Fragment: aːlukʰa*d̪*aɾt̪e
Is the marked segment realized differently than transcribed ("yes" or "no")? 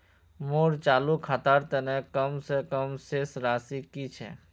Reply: yes